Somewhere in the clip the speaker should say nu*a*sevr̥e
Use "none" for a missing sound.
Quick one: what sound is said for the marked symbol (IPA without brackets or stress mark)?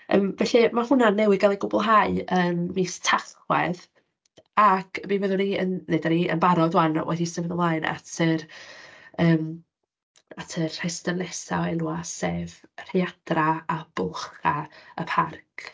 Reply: a